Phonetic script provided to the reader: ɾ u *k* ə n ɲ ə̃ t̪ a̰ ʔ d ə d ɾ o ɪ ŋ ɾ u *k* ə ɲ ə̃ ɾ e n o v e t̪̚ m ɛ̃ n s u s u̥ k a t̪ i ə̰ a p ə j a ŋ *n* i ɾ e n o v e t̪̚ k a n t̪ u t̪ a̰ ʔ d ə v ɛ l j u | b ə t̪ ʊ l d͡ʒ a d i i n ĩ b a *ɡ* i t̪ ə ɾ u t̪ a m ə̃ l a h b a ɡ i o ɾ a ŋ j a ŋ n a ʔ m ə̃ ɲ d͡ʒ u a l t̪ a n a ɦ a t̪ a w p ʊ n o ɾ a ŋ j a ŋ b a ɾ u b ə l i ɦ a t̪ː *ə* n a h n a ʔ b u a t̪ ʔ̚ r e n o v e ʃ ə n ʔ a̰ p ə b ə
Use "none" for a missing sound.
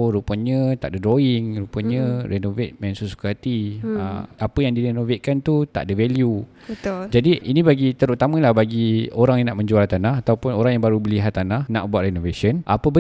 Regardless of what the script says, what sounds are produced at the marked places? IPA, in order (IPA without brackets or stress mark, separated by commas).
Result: p, p, d, ɡ, a